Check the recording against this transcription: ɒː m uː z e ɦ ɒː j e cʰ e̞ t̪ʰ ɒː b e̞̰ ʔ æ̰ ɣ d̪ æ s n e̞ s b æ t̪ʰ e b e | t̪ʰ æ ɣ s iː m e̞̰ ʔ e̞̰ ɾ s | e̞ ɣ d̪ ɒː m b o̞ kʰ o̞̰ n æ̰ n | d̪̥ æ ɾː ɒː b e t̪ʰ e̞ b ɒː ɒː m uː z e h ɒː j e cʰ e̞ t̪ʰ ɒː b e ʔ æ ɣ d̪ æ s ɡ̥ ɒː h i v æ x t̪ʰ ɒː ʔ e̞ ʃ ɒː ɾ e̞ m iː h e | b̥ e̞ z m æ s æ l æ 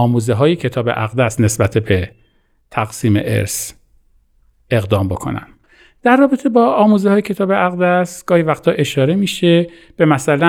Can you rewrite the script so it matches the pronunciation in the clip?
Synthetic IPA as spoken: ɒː m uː z e ɦ ɒː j e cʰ e̞ t̪ʰ ɒː b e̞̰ ʔ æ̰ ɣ d̪ æ s n e̞ s b æ t̪ʰ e b e | t̪ʰ æ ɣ s iː m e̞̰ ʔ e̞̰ ɾ s | e̞ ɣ d̪ ɒː m b o̞ kʰ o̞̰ n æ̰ n | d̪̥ æ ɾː ɒː b e t̪ʰ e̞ b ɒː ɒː m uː z e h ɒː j e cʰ e̞ t̪ʰ ɒː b e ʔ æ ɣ d̪ æ s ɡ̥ ɒː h i v æ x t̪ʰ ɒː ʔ e̞ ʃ ɒː ɾ e̞ m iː ʃ e | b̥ e̞ m æ s æ l æ